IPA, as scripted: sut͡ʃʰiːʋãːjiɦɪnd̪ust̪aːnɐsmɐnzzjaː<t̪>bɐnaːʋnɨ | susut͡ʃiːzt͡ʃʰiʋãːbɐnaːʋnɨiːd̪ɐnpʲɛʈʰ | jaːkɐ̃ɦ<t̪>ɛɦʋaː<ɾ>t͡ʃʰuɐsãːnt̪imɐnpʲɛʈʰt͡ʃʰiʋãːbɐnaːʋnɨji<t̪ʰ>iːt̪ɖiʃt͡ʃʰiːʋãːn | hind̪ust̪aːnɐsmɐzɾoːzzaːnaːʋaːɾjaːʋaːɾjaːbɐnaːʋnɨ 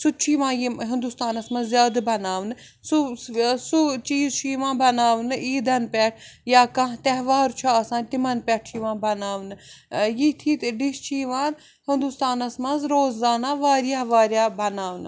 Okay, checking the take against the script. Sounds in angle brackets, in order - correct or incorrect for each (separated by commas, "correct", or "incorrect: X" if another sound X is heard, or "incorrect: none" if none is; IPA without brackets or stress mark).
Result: incorrect: d̪, correct, correct, correct